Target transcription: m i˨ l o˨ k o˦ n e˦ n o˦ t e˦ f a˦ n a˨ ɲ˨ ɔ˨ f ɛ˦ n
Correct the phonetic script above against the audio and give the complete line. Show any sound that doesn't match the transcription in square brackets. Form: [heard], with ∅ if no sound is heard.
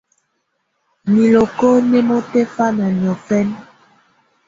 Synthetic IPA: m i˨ l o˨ k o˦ n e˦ [m] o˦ t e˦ f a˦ n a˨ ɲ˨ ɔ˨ f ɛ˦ n